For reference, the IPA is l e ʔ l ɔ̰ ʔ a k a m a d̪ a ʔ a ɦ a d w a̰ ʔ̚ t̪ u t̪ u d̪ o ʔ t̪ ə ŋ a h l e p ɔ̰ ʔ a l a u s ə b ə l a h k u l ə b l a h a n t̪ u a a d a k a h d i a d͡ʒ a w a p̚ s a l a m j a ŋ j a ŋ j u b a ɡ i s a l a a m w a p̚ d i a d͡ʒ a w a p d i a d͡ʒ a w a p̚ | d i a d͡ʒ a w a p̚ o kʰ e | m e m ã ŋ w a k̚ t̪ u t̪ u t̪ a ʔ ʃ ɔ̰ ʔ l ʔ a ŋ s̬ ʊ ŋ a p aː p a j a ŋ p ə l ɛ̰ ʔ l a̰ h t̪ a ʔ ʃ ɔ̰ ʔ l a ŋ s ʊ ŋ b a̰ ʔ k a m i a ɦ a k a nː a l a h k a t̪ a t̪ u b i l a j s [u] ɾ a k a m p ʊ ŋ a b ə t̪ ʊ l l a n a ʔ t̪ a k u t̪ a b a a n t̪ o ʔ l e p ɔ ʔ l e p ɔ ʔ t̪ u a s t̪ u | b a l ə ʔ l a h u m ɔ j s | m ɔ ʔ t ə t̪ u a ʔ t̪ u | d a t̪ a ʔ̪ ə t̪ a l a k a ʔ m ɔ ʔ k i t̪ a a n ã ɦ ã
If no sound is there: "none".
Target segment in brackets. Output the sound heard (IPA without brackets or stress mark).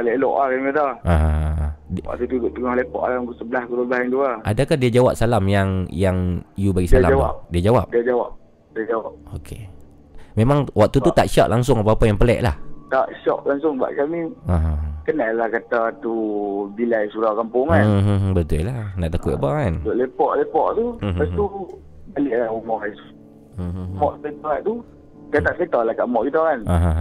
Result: u